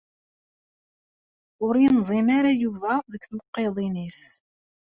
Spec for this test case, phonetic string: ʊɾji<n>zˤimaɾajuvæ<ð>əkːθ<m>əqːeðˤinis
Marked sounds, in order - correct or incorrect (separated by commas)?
correct, correct, incorrect